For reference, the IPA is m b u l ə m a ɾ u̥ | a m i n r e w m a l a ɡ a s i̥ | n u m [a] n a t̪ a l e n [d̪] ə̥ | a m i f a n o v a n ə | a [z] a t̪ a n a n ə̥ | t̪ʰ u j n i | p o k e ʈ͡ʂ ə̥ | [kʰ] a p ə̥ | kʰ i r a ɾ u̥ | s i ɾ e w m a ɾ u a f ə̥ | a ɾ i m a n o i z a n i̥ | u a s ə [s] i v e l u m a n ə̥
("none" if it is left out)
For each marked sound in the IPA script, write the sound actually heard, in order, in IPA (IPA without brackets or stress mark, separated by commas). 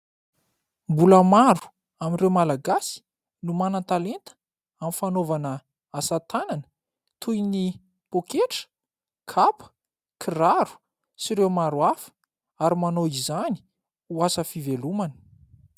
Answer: a, t̪, s, kʰ, f